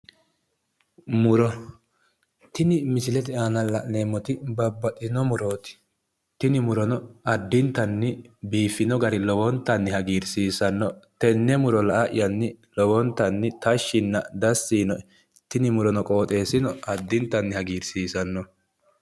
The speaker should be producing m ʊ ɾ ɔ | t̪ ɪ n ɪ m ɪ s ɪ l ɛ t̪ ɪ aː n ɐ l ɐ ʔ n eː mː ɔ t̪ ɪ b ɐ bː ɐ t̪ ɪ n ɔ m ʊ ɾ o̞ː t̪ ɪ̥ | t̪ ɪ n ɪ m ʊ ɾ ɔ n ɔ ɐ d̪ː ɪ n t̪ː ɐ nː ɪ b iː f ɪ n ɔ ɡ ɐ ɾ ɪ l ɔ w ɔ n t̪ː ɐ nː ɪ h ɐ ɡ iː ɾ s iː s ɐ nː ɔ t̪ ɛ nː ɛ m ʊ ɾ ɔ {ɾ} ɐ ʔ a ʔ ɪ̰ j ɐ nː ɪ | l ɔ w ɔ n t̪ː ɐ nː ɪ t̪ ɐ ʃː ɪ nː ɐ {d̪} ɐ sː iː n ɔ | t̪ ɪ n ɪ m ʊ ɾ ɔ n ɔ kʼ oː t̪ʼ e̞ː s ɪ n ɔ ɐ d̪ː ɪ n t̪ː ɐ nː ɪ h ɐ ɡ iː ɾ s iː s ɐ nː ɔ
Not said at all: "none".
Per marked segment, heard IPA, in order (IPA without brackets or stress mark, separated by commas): l, d̪